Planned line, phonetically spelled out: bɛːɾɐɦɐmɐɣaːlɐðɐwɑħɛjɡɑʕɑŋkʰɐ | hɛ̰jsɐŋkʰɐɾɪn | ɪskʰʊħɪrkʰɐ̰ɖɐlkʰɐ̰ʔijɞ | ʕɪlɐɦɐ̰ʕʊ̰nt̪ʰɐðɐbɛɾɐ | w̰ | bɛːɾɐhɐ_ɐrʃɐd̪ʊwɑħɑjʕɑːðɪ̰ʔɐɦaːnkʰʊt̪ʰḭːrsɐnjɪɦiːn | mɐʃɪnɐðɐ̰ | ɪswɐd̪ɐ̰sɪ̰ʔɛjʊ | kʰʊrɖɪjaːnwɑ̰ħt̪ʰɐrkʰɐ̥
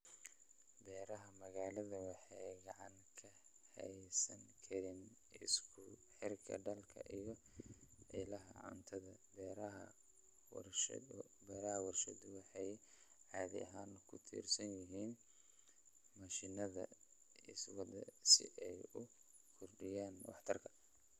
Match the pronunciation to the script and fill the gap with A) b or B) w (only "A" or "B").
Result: B